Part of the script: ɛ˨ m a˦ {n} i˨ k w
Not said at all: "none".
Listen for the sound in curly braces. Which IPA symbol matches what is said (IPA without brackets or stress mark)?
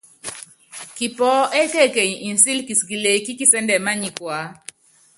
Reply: ɲ